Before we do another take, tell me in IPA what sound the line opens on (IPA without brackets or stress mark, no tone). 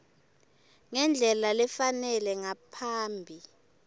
ŋ